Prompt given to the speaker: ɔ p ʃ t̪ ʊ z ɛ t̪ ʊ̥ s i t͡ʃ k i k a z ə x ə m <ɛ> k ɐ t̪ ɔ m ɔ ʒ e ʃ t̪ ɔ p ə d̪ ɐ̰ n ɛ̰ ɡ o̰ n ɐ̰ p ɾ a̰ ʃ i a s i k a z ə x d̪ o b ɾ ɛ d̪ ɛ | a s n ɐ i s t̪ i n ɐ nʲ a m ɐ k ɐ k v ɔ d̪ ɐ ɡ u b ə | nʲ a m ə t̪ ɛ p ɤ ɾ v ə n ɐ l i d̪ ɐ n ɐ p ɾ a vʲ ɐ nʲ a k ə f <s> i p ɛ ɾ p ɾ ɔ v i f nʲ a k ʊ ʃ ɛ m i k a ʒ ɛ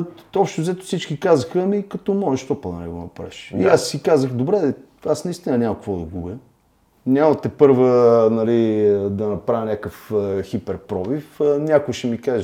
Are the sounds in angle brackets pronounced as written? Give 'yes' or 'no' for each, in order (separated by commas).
no, no